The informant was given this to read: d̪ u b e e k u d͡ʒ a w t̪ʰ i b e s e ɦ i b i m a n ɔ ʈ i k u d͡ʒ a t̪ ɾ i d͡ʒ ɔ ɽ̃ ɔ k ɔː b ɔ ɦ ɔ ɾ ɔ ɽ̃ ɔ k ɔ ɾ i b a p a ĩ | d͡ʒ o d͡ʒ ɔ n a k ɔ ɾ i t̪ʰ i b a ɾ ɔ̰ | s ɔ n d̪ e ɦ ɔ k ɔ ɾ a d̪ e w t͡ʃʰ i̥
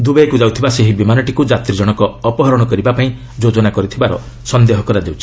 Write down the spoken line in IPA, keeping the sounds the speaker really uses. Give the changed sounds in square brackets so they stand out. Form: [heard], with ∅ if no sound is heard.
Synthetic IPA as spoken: d̪ u b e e k u d͡ʒ a w t̪ʰ i b [a] s e ɦ i b i m a n ɔ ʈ i k u d͡ʒ a t̪ ɾ i d͡ʒ ɔ ɽ̃ ɔ k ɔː [p] ɔ ɦ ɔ ɾ ɔ ɽ̃ ɔ k ɔ ɾ i b a p a ĩ | d͡ʒ o d͡ʒ ɔ n a k ɔ ɾ i t̪ʰ i b a ɾ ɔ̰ | s ɔ n d̪ e ɦ ɔ k ɔ ɾ a d̪ e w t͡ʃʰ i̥